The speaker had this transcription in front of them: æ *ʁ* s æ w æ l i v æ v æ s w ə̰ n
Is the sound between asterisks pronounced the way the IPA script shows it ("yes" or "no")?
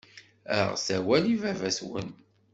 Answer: yes